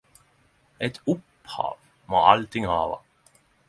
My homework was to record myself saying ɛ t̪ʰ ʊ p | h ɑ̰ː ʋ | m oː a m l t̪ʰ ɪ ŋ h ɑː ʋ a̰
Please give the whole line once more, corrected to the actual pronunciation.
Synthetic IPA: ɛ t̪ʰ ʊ p | h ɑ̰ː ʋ | m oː a l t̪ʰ ɪ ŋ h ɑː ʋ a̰